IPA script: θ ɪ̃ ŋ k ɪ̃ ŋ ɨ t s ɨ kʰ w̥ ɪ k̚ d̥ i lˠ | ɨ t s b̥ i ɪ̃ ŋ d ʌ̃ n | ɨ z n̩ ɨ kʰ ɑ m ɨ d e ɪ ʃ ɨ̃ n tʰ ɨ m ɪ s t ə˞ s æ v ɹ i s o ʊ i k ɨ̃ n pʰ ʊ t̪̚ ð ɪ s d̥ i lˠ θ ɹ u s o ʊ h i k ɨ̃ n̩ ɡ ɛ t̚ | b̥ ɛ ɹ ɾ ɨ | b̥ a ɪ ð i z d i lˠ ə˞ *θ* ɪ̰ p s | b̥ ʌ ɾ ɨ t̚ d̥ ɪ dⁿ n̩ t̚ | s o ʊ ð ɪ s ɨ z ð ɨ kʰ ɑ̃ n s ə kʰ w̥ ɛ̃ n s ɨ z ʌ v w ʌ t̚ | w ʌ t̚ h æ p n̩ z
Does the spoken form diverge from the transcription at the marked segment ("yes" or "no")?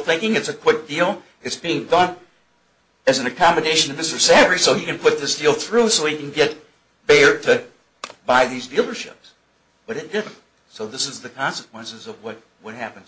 yes